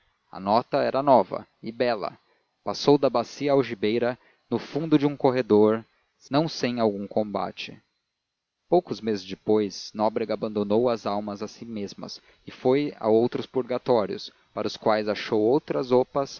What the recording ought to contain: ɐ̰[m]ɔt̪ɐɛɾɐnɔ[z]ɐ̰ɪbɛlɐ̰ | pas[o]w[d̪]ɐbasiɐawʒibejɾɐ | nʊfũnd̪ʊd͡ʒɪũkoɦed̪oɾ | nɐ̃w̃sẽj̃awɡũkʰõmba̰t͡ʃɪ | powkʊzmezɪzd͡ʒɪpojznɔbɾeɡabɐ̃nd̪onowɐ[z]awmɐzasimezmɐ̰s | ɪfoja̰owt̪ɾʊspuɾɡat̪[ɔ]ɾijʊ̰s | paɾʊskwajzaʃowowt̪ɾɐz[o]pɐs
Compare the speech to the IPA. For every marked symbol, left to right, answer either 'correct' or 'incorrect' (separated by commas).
incorrect, incorrect, correct, correct, correct, correct, correct